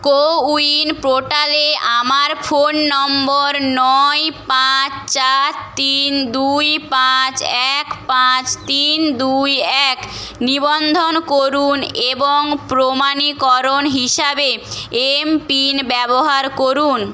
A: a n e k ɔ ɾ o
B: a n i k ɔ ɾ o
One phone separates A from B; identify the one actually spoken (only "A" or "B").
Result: B